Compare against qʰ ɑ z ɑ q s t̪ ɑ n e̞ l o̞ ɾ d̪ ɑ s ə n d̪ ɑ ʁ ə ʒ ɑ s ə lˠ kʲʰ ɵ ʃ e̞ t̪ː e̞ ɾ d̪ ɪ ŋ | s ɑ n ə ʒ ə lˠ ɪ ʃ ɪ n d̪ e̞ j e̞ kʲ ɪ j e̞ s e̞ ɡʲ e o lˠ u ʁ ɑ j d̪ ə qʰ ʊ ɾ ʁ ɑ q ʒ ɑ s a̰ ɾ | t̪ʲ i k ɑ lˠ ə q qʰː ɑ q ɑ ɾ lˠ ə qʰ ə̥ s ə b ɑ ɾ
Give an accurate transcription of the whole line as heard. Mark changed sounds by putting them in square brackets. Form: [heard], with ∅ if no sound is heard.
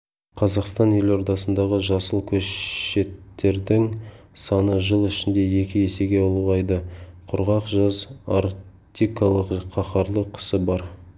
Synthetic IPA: qʰ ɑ z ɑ q s t̪ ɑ n e̞ l o̞ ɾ d̪ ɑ s ə n d̪ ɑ ʁ ə ʒ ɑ s ə lˠ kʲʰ ɵ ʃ e̞ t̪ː e̞ ɾ d̪ ɪ ŋ | s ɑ n ə ʒ ə lˠ ɪ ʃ ɪ n d̪ e̞ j e̞ kʲ ɪ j e̞ s e̞ ɡʲ e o lˠ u ʁ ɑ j d̪ ə qʰ ʊ ɾ ʁ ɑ q ʒ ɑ [z] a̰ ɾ | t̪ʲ i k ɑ lˠ ə q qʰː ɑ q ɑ ɾ lˠ ə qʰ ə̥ s ə b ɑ ɾ